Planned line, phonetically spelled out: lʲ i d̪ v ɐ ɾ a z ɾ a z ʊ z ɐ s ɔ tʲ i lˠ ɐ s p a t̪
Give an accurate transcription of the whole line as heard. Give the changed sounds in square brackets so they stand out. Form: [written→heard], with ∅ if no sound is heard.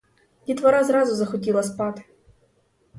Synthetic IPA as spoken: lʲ i [d̪→t̪] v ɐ ɾ a z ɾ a z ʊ z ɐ [s→x] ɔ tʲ i lˠ ɐ s p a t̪